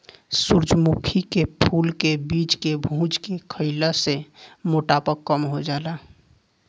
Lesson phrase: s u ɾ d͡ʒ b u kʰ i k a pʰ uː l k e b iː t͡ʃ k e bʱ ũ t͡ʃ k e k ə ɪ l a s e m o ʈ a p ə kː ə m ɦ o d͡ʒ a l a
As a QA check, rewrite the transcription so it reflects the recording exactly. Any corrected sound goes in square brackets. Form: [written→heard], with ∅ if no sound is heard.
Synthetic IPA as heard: s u ɾ d͡ʒ [b→m] u kʰ i k [a→e] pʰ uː l k e b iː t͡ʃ k e bʱ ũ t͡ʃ k e [k→kʰ] ə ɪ l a s e m o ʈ a p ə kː ə m ɦ o d͡ʒ a l a